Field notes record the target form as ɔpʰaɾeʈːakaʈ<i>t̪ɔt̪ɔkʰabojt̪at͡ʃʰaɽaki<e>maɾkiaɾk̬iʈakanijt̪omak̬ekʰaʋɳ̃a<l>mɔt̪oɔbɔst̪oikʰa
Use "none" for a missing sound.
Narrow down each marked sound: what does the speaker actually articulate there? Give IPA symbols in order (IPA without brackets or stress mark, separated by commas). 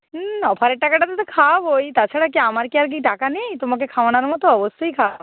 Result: a, a, ɾ